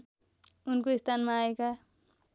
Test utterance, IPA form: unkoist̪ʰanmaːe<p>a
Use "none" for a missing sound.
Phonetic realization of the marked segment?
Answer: k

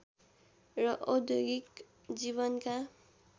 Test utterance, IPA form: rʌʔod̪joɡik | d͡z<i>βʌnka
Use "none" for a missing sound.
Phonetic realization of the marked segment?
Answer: i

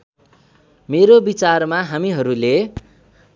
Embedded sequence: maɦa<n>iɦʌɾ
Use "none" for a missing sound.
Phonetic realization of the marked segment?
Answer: m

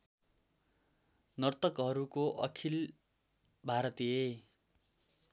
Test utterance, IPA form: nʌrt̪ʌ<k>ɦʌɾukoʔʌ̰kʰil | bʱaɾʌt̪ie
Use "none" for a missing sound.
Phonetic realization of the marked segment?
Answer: k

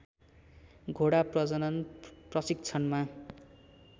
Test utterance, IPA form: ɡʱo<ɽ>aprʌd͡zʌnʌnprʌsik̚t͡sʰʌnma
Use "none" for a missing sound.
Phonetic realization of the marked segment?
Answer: ɽ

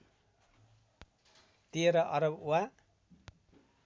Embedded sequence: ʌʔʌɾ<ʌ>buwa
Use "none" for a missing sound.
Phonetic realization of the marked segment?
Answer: ʌ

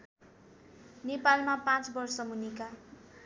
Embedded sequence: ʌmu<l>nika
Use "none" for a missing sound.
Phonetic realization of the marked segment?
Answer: none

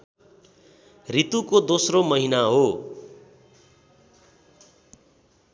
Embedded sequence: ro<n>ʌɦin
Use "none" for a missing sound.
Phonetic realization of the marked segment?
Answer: m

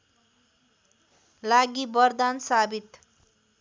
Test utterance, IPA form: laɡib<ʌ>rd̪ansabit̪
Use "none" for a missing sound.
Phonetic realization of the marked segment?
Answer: ʌ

